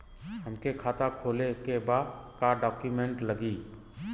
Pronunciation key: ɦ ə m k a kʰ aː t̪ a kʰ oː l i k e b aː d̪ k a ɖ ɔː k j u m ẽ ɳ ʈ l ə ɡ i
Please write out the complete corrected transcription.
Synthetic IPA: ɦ ə m k e kʰ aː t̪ a kʰ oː l e k e b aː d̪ k a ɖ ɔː k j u m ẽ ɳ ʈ l ə ɡ i